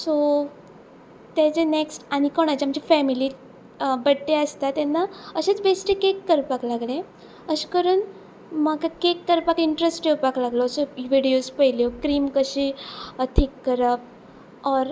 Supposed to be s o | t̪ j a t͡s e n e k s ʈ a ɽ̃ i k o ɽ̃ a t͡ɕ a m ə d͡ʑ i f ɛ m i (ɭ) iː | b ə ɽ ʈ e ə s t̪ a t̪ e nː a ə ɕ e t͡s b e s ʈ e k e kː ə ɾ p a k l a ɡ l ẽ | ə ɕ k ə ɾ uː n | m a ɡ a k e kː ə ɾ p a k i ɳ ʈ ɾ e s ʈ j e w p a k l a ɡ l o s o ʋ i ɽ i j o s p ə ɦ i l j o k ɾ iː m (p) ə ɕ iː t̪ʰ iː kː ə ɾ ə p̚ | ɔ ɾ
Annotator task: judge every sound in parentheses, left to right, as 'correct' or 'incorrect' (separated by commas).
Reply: incorrect, incorrect